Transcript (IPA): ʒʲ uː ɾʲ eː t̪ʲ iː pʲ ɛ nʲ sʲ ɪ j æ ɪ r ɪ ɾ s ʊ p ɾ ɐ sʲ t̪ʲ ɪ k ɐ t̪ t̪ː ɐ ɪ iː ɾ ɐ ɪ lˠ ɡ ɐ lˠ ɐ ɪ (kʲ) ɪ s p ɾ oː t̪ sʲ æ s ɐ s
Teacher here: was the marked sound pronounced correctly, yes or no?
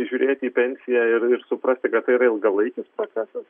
yes